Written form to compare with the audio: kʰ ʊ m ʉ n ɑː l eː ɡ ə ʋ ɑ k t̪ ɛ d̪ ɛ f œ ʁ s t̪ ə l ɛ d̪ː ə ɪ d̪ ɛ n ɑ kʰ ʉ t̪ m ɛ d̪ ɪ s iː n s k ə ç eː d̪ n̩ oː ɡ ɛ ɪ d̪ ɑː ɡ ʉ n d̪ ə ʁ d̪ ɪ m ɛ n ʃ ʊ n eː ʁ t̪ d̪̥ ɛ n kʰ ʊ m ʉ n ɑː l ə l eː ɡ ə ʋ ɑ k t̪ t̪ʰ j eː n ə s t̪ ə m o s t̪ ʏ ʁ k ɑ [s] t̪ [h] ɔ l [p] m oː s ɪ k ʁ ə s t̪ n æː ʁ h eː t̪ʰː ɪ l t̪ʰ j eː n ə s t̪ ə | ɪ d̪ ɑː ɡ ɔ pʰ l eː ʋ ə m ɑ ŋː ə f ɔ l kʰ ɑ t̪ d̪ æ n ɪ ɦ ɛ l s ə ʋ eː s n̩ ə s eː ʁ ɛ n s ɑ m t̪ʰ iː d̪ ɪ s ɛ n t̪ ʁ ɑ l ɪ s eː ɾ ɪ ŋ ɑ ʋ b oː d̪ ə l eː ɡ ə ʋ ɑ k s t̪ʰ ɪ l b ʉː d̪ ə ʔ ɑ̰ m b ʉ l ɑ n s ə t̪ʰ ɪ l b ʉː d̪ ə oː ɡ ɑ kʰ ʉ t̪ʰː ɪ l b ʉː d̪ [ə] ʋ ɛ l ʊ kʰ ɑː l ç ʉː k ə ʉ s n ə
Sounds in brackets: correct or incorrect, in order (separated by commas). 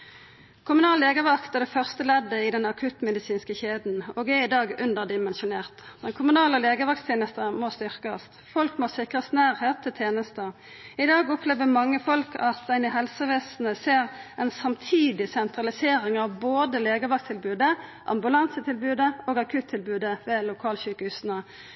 correct, incorrect, incorrect, correct